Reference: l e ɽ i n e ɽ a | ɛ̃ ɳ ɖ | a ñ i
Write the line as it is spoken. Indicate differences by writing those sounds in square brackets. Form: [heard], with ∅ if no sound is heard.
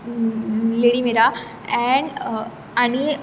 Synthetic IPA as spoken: l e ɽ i [m] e [ɾ] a | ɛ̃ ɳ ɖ | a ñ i